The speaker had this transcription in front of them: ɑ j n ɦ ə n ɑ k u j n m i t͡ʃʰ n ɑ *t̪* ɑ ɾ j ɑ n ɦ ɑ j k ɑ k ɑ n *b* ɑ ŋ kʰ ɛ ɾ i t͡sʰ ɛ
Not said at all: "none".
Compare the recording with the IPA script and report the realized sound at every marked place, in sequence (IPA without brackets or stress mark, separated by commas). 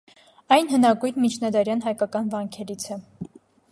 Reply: d̪, v